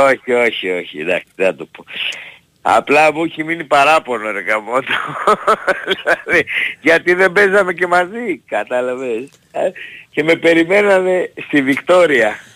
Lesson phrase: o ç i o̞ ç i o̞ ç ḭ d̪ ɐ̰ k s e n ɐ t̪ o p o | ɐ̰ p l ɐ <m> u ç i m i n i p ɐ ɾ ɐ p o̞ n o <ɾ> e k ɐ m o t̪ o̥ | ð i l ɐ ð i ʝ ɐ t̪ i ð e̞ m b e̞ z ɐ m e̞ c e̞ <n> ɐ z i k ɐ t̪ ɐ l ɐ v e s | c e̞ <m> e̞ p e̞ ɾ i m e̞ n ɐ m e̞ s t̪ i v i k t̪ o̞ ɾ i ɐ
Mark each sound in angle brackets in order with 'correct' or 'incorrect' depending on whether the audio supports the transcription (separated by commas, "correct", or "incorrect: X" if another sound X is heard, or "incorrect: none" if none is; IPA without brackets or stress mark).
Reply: correct, correct, incorrect: m, correct